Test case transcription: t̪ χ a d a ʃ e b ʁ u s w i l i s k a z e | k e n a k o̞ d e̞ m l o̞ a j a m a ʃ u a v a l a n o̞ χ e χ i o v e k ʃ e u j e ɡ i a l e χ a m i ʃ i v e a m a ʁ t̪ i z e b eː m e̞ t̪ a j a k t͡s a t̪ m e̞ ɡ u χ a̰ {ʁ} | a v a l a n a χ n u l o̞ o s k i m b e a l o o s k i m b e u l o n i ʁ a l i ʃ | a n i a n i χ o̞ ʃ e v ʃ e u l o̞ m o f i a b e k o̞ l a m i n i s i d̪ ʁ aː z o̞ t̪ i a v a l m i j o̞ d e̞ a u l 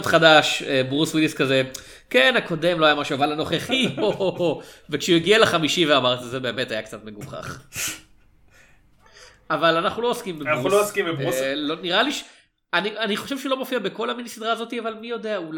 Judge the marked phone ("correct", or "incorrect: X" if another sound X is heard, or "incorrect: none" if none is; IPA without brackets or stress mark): incorrect: χ